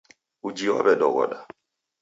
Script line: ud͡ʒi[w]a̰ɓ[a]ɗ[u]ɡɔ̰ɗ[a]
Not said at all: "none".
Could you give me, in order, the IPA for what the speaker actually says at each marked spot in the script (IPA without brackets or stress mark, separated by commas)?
w, ɛ, ɔ, a